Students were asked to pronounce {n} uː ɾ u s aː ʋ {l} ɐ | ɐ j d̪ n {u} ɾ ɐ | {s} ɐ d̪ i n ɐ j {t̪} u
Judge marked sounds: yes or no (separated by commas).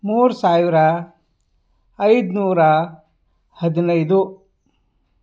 no, no, no, no, no